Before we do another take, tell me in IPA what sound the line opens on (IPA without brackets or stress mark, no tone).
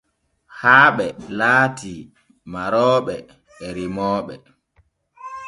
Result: h